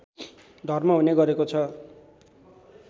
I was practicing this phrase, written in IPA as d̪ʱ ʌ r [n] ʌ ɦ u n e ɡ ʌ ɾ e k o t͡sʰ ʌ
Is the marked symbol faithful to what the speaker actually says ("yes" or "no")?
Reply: no